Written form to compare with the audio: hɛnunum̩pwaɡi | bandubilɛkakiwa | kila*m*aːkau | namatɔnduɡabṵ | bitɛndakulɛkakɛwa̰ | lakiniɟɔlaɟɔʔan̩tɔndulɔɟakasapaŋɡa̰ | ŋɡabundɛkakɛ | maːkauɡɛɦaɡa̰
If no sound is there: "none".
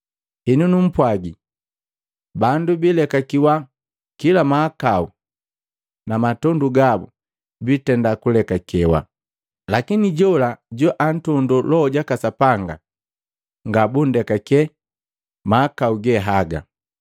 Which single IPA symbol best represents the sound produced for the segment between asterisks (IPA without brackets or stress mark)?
m